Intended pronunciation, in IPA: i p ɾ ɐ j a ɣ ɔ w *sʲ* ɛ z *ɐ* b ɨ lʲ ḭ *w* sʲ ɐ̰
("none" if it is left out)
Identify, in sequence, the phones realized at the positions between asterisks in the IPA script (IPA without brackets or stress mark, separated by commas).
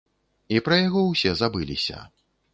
sʲ, a, none